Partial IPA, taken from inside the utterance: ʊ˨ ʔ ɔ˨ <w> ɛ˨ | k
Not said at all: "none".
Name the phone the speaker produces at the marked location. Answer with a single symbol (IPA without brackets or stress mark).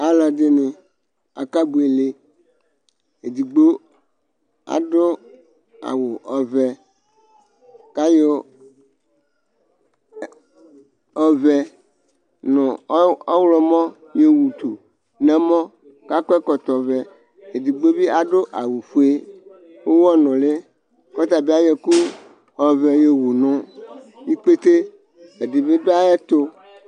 v